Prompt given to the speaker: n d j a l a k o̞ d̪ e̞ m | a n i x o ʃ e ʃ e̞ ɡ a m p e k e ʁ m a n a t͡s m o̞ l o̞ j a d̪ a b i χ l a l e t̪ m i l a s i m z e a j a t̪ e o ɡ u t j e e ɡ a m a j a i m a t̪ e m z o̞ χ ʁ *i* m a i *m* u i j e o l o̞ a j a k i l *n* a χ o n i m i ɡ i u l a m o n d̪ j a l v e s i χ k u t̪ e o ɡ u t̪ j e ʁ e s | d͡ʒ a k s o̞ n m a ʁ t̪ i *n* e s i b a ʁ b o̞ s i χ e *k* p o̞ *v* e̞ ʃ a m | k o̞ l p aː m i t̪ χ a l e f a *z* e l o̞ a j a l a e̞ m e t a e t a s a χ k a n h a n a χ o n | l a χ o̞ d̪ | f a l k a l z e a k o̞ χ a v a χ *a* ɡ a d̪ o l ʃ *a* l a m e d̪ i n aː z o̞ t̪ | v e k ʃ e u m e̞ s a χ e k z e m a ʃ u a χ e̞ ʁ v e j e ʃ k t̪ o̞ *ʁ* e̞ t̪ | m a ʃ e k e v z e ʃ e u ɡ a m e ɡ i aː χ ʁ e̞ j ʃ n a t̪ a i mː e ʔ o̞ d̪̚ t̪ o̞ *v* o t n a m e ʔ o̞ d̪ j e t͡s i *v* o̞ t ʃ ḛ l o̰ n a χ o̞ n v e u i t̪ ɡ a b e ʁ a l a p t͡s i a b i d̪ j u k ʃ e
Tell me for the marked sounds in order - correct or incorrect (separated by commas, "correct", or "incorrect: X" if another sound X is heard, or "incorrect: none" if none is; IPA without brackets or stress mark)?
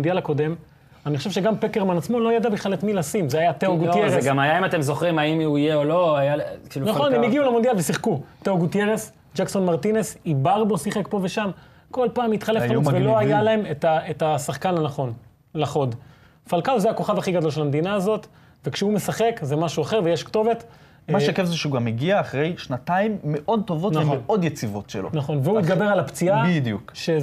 correct, correct, correct, correct, correct, correct, incorrect: v, incorrect: i, incorrect: e, incorrect: v, correct, correct